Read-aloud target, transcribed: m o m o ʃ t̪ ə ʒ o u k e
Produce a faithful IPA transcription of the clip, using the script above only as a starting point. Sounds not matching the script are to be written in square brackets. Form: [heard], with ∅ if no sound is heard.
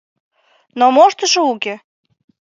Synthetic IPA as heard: [n] o m o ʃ t̪ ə [ʃ] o u k e